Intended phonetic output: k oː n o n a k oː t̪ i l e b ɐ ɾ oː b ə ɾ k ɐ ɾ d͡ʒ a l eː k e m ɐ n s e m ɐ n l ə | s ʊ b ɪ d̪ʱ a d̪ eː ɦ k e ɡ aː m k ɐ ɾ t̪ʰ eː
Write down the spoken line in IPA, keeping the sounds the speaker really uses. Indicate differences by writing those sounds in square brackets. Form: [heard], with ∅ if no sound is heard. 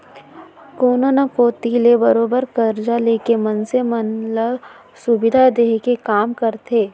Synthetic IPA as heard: k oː n o n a k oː t̪ i l e b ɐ ɾ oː b ə ɾ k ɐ ɾ d͡ʒ a l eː k e m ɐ n s e m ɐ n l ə | s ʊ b ɪ d̪ʱ a d̪ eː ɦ k e [k] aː m k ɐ ɾ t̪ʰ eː